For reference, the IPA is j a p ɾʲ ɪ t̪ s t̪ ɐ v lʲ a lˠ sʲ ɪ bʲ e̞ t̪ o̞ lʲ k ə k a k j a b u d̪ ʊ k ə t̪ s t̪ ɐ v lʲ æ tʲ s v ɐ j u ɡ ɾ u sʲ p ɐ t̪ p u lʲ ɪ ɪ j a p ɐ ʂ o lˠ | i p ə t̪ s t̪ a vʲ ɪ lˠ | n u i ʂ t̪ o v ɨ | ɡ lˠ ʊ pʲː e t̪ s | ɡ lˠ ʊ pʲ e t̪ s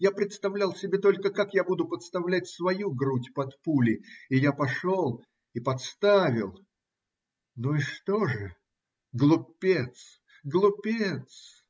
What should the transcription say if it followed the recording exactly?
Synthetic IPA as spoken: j a p ɾʲ ɪ t̪ s t̪ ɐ v lʲ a lˠ sʲ ɪ bʲ e̞ t̪ o̞ lʲ k ə k a k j a b u d̪ ʊ p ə t̪ s t̪ ɐ v lʲ æ tʲ s v ɐ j u ɡ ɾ u tʲ p ɐ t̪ p u lʲ ɪ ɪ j a p ɐ ʂ o lˠ | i p ɐ t̪ s t̪ a vʲ ɪ lˠ | n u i ʂ t̪ o ʐ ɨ | ɡ lˠ ʊ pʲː e t̪ s | ɡ lˠ ʊ pʲ e t̪ s